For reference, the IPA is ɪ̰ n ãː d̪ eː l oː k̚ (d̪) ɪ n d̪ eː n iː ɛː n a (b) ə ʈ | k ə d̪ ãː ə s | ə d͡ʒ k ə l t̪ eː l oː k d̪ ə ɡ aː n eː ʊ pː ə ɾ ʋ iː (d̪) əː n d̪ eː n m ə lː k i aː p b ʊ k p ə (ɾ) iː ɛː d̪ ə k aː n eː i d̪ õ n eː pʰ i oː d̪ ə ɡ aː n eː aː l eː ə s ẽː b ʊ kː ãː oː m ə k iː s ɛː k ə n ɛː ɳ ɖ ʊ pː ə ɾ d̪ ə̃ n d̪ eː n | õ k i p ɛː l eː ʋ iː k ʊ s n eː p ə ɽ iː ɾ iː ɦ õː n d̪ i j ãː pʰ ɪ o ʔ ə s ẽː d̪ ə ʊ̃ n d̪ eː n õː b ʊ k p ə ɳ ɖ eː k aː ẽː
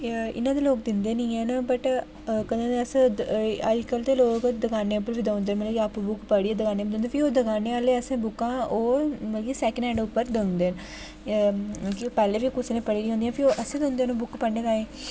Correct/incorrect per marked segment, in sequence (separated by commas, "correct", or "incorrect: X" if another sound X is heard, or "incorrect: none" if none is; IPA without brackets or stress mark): correct, correct, correct, incorrect: ɽ